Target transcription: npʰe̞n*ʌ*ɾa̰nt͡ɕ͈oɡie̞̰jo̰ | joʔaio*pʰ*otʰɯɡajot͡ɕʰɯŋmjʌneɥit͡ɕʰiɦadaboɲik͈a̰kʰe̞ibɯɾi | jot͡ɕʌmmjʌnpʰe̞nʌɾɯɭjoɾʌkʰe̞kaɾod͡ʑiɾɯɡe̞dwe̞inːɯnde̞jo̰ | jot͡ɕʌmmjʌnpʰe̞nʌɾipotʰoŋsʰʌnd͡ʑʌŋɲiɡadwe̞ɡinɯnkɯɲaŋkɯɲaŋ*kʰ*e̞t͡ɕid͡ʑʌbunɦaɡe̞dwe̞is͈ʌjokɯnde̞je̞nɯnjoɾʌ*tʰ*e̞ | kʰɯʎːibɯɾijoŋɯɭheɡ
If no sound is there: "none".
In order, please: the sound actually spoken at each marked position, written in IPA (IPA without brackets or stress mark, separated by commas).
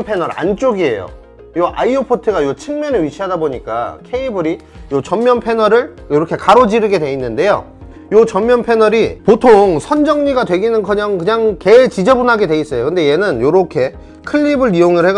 ʌ, pʰ, k, kʰ